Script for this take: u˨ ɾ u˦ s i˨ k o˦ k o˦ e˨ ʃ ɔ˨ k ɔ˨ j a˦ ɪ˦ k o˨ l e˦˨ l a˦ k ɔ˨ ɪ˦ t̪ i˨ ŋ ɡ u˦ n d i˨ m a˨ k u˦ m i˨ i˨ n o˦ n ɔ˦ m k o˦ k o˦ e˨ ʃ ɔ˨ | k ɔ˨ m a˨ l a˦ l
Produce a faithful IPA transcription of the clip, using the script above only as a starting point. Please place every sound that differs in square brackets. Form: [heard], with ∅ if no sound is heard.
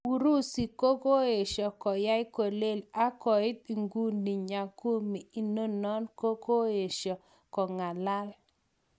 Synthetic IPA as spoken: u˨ ɾ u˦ s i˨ k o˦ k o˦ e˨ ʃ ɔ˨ k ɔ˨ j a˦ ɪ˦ k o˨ l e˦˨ l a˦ k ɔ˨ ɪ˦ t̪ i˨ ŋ ɡ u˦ n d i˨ [ɲ] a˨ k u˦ m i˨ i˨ n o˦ n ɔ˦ [n] k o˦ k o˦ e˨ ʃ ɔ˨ | k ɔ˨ [ŋ] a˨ l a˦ l